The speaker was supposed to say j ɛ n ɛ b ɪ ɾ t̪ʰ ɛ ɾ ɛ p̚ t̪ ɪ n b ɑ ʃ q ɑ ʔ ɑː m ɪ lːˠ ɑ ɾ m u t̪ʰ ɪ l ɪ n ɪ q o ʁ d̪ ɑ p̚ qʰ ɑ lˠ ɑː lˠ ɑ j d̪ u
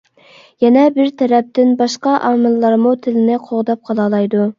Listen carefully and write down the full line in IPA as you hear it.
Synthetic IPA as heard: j ɛ n ɛ b ɪ ɾ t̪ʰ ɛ ɾ ɛ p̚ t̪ ɪ n b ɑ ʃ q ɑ ʔ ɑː m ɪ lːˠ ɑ ɾ m u t̪ʰ ɪ l ɪ n ɪ qʰ o ʁ d̪ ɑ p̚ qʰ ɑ lˠ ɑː lˠ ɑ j d̪ u